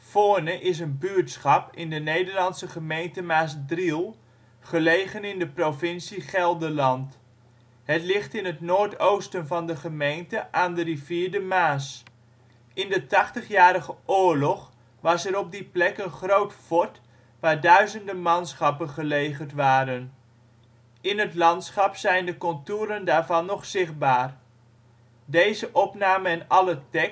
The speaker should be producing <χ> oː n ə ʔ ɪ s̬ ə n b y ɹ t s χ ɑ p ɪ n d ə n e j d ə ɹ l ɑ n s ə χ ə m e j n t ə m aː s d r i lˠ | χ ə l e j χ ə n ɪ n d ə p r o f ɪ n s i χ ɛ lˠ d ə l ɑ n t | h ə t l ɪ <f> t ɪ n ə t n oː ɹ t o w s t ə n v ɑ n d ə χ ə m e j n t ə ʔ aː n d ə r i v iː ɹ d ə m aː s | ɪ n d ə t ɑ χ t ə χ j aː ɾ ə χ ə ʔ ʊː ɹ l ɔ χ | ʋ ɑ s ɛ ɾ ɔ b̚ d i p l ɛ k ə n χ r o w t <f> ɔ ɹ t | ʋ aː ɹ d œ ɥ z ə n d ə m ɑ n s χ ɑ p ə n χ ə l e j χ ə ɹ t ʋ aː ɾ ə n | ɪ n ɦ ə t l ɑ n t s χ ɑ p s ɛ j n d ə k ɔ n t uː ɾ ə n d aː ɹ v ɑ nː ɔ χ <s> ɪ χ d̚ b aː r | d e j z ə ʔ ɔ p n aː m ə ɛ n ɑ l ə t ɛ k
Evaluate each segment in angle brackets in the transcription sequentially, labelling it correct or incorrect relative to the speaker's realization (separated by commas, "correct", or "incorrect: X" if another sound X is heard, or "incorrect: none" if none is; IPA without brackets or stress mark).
incorrect: f, incorrect: χ, correct, correct